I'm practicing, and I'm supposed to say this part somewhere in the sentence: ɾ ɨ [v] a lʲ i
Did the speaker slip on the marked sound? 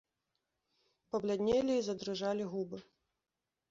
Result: yes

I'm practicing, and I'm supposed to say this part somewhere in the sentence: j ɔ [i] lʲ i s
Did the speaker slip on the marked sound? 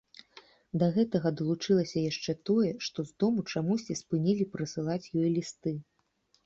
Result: yes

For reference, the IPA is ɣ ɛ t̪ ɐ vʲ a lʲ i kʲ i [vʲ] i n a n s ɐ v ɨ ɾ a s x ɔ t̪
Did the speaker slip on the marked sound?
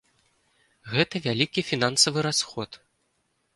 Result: yes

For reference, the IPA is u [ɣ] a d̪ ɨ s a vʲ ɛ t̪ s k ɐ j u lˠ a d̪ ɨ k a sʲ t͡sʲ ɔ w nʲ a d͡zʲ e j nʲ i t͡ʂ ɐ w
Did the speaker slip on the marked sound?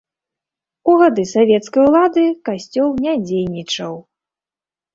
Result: no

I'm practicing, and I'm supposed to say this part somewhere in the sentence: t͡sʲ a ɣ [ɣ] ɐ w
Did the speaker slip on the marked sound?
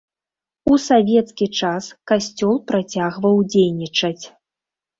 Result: yes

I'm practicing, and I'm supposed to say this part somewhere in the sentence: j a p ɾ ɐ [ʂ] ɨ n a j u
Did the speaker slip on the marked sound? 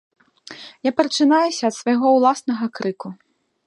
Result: yes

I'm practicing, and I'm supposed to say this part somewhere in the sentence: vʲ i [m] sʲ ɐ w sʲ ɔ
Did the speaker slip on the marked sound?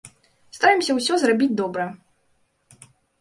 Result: no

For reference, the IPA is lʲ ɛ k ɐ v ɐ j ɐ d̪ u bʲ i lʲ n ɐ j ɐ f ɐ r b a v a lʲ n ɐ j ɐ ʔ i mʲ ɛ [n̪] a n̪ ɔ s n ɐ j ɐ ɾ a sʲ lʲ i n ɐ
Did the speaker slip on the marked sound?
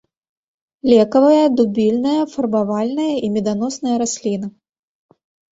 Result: yes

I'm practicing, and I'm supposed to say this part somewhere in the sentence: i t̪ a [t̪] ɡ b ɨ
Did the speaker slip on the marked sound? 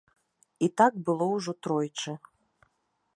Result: yes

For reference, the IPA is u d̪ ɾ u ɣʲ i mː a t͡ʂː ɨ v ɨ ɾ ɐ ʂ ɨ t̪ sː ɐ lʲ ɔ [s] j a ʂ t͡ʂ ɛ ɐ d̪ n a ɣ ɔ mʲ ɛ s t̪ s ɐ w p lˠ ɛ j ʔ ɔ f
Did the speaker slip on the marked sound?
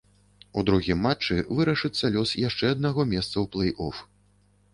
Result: no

